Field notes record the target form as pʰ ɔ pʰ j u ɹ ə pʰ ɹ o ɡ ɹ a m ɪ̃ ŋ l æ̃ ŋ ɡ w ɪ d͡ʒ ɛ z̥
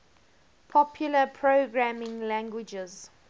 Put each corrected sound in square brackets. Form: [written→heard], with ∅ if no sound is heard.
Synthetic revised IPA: pʰ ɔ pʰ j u [ɹ→l] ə pʰ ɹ o ɡ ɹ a m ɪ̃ ŋ l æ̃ ŋ ɡ w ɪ d͡ʒ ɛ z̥